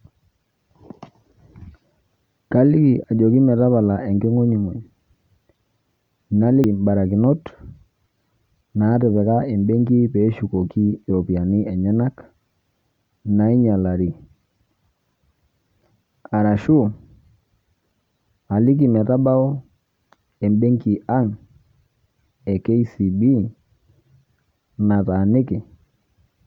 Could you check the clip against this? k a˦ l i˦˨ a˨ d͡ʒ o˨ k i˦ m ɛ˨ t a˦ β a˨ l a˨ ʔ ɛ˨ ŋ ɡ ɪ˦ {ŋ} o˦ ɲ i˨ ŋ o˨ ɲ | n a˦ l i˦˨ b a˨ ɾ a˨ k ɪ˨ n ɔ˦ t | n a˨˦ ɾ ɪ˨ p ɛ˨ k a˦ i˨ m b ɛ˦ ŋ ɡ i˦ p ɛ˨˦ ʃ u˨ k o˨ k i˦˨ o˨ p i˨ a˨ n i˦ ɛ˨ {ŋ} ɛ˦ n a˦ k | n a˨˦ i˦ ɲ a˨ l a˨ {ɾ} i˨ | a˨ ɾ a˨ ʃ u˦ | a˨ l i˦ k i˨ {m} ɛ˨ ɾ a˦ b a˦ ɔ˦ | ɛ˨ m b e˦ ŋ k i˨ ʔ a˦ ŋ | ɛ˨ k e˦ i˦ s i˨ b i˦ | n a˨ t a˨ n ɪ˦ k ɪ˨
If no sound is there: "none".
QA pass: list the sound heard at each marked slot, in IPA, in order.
ŋ, ɲ, ɾ, m

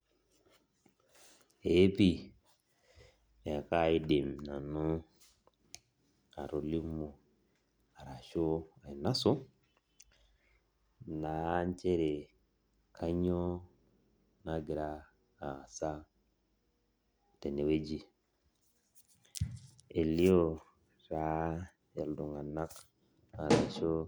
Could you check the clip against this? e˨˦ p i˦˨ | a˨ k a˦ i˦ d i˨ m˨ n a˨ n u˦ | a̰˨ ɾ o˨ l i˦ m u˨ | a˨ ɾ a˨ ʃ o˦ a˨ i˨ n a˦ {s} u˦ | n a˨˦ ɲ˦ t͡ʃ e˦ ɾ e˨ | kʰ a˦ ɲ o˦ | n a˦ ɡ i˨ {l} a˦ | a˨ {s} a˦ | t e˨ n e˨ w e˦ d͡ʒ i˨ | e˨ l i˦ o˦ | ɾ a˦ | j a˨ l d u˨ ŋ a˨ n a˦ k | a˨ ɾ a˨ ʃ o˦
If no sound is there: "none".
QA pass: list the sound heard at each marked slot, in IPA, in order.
s, ɾ, s

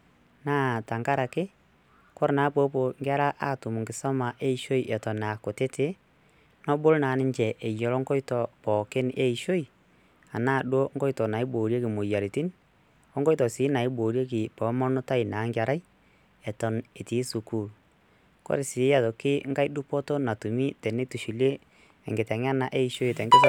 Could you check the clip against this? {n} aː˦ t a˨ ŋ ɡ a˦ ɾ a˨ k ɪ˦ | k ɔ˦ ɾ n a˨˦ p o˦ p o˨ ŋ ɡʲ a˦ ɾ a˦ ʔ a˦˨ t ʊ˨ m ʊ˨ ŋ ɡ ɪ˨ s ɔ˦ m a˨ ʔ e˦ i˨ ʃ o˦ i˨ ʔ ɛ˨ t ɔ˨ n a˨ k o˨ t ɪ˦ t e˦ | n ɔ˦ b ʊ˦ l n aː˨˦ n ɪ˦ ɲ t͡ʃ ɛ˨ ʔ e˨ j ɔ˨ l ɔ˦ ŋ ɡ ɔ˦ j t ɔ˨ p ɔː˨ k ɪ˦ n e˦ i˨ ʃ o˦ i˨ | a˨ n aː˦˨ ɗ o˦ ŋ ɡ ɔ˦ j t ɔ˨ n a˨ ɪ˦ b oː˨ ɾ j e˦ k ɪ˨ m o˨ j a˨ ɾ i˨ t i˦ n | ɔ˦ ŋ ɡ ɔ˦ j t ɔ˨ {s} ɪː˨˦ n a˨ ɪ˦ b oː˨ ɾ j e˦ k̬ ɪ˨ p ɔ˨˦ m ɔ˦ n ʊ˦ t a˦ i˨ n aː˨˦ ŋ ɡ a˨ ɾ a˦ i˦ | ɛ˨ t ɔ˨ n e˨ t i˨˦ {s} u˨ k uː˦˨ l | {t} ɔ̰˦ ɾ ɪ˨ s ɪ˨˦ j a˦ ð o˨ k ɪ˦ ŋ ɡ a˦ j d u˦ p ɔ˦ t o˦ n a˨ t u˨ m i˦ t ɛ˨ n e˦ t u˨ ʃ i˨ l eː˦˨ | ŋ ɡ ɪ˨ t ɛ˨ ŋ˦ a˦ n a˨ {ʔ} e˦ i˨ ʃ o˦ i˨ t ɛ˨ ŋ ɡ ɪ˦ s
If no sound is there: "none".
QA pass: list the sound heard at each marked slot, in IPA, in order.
n, s, s, k, ʔ

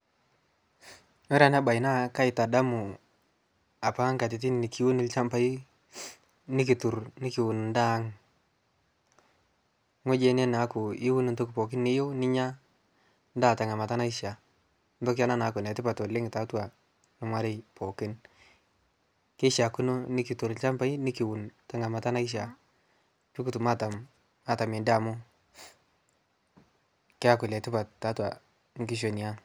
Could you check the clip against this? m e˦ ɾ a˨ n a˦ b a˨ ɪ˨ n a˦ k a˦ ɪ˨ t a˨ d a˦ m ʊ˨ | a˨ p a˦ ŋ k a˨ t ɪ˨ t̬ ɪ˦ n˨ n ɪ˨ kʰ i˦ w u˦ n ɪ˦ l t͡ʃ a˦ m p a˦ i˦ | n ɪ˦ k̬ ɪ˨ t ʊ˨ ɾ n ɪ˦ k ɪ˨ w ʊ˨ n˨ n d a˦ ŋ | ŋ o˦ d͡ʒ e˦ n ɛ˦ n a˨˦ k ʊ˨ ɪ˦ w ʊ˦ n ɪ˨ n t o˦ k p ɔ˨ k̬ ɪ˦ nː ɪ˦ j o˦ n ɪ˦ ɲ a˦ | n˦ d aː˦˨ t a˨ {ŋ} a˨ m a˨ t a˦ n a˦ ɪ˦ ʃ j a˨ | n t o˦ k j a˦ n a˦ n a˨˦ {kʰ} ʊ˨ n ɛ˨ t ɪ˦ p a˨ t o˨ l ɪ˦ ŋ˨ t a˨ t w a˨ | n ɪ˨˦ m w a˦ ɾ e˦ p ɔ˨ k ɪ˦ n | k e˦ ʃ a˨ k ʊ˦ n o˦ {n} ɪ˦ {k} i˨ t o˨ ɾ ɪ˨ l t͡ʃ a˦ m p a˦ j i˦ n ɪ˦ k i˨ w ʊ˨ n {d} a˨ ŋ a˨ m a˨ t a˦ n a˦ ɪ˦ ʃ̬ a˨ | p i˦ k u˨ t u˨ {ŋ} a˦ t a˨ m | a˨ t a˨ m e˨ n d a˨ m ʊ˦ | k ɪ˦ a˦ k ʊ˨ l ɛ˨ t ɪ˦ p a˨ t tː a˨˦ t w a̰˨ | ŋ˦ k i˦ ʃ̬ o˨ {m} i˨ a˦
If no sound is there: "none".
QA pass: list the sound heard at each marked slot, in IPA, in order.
ŋ, k, n, k, t, m, n

